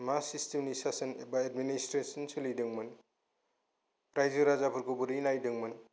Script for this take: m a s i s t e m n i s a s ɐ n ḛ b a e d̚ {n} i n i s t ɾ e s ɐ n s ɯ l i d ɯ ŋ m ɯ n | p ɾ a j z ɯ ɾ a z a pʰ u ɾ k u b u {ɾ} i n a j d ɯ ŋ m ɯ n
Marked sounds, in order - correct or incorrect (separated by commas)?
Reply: incorrect, correct